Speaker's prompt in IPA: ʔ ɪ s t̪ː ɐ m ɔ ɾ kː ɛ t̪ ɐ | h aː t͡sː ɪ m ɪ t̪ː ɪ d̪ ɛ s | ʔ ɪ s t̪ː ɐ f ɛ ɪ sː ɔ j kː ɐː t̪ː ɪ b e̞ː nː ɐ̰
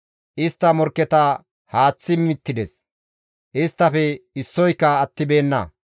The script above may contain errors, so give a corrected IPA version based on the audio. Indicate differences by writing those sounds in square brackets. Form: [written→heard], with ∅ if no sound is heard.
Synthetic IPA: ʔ ɪ s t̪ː ɐ m ɔ ɾ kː ɛ t̪ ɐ | h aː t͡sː ɪ m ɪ t̪ː ɪ d̪ ɛ s | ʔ ɪ s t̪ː ɐ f ɛ ɪ sː ɔ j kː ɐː t̪ː ɪ b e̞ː nː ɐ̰